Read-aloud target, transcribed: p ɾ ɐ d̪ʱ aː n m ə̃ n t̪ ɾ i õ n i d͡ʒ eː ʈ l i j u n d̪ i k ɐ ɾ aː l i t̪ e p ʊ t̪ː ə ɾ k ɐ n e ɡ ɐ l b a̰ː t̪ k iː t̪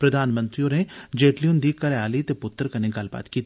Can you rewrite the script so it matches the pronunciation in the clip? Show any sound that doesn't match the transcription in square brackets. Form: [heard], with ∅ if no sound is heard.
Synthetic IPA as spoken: p ɾ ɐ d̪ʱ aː n m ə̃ n t̪ ɾ i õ n [e] d͡ʒ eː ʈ l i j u n d̪ i k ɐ ɾ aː l i t̪ e p ʊ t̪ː ə ɾ k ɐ n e ɡ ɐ l b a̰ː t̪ k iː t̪